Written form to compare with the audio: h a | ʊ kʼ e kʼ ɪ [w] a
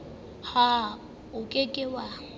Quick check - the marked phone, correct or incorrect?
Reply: correct